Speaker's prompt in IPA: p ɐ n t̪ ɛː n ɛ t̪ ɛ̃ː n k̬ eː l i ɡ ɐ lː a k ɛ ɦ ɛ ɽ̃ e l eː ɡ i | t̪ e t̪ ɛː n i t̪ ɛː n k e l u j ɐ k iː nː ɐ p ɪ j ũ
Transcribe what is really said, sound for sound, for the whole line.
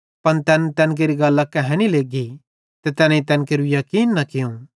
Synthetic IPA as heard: p ɐ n t̪ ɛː n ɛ t̪ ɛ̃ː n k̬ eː ɾ i ɡ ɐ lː a k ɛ ɦ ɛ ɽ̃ i l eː ɡ i | t̪ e t̪ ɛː n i t̪ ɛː n k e ɾ u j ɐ k iː nː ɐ k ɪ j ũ